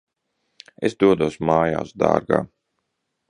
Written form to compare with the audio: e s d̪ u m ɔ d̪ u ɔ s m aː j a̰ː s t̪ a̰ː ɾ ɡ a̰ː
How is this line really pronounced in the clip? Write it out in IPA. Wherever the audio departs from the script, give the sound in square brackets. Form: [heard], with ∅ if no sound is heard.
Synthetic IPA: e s d̪ u [∅] ɔ d̪ u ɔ s m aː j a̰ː s [d̪] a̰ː ɾ ɡ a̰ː